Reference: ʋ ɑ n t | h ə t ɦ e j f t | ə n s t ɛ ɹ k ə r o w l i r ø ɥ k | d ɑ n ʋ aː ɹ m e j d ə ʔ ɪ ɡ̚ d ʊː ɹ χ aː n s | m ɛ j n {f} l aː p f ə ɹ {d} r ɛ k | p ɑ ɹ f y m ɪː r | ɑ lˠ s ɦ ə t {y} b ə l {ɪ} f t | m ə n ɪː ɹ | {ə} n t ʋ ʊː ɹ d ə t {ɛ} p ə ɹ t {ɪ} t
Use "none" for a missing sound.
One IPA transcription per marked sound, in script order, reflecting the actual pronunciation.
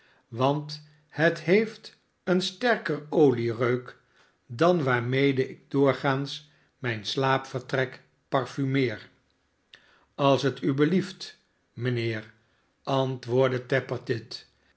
s, t, y, i, ɑ, ɛ, ɪ

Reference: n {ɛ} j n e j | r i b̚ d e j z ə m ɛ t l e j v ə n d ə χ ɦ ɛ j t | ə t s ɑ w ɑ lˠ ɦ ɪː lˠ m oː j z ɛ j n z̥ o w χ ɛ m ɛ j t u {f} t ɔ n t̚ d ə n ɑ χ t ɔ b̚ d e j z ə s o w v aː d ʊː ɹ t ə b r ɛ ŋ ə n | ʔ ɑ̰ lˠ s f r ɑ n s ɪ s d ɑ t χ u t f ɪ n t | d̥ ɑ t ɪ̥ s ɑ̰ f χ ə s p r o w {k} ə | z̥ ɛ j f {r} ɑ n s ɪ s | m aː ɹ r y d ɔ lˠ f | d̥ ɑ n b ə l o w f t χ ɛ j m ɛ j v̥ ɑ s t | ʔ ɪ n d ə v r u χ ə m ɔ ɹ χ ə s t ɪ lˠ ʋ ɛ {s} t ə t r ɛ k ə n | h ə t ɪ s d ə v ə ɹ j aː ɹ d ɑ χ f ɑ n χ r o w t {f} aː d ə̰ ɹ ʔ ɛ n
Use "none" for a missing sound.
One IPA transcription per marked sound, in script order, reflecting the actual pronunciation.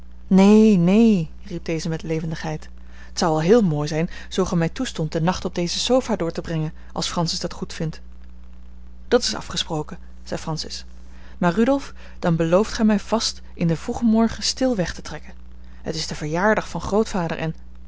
e, s, k, r, χ, f

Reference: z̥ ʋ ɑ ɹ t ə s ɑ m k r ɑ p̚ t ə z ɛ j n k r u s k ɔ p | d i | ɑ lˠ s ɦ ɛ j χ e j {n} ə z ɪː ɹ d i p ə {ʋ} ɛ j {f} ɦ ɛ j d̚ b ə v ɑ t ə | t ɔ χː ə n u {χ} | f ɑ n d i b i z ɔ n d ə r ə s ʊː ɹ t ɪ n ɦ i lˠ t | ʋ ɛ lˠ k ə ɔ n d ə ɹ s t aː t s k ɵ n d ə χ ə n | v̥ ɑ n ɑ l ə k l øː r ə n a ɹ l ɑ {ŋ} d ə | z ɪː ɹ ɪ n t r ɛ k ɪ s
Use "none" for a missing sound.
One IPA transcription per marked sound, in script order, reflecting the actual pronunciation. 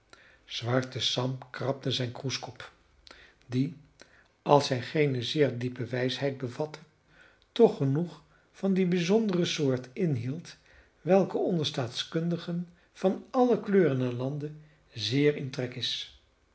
n, ʋ, s, χ, n

